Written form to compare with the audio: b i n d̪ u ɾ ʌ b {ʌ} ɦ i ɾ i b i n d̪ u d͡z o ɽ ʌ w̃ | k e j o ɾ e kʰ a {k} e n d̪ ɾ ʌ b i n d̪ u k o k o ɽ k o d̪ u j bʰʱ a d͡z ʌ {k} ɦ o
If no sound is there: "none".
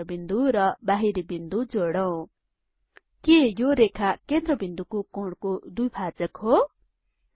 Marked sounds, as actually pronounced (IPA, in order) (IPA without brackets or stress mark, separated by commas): a, k, k